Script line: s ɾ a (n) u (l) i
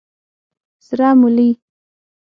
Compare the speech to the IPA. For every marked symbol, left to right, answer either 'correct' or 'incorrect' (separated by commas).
incorrect, correct